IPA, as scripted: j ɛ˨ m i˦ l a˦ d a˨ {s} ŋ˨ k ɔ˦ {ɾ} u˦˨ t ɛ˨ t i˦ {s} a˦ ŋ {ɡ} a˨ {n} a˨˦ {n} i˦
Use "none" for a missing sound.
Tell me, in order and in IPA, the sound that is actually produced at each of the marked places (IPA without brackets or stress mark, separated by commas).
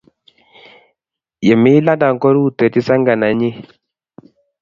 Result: none, ɾ, s, ɡ, n, ɲ